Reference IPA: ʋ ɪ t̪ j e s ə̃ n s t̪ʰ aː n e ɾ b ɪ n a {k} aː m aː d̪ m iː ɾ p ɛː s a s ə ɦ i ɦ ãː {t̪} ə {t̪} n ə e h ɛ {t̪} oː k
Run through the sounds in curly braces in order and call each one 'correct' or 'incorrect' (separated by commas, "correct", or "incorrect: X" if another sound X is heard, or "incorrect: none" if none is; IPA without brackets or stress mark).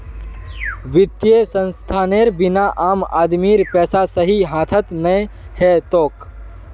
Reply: incorrect: ʔ, incorrect: t̪ʰ, correct, correct